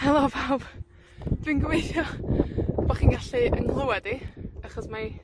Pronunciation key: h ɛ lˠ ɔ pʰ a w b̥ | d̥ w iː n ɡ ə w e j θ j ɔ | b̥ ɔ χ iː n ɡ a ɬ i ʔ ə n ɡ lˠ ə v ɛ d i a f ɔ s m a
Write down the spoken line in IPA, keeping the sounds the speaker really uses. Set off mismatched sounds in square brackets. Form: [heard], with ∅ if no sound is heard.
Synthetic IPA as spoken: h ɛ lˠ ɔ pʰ a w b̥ | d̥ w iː n ɡ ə w e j θ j ɔ | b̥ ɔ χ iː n ɡ a ɬ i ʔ ə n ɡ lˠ ə [w] ɛ d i a [χ] ɔ s m a